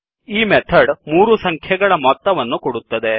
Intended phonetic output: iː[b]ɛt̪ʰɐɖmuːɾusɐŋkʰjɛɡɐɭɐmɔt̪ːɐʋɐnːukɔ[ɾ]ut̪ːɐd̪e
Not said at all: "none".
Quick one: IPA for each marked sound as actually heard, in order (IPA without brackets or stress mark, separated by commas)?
m, ɽ